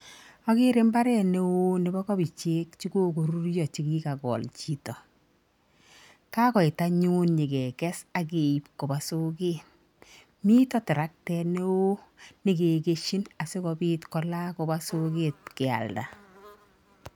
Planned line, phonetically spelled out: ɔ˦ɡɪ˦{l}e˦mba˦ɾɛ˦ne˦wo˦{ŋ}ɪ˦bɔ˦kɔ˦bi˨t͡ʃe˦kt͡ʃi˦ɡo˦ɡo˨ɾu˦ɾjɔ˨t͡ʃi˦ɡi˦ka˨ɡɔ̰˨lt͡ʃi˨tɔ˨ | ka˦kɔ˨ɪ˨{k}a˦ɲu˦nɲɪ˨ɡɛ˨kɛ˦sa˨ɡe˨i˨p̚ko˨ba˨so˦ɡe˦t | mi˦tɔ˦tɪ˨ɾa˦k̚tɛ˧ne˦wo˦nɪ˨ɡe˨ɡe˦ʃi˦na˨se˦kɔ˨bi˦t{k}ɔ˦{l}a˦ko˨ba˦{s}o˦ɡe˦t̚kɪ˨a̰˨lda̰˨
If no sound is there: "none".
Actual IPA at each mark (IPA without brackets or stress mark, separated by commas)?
ɾ, n, t, k, l, s